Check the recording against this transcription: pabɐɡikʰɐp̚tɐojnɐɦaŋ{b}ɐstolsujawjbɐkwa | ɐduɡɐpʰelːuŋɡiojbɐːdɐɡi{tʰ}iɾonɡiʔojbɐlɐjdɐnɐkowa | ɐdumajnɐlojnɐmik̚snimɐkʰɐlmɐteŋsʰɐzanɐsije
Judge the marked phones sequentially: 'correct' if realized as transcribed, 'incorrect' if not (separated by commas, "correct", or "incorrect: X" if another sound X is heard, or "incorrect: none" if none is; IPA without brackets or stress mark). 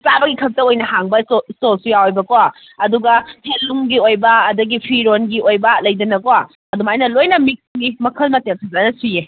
correct, incorrect: pʰ